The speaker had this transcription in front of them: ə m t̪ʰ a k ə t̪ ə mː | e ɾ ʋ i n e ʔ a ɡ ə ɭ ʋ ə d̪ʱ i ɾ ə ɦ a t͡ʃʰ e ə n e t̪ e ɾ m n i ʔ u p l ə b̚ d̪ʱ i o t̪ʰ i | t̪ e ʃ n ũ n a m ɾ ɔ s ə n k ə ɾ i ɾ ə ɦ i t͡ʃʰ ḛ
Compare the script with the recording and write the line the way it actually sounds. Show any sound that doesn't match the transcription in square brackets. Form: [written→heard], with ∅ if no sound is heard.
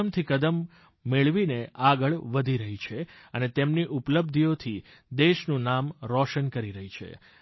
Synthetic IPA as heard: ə m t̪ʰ [a→i] k ə [t̪→d̪] ə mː | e [ɾ→ɭ] ʋ i n e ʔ a ɡ ə ɭ ʋ ə d̪ʱ i ɾ ə ɦ [a→i] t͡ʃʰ e ə n e t̪ e [ɾ→∅] m n i ʔ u p l ə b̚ d̪ʱ i o t̪ʰ i | [t̪→d̪] e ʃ n ũ n a m ɾ ɔ [s→ʃ] ə n k ə ɾ i ɾ ə ɦ i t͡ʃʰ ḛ